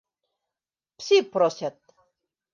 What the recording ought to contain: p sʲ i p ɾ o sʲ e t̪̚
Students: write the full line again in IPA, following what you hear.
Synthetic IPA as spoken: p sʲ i p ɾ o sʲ a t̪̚